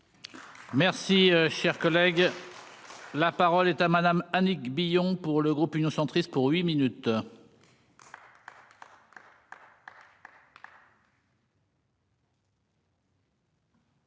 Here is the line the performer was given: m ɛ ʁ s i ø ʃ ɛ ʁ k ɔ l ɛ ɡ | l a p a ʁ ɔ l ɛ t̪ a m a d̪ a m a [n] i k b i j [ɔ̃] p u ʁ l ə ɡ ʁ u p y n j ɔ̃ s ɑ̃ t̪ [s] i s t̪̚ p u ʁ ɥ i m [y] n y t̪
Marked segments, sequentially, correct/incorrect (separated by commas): correct, correct, incorrect, incorrect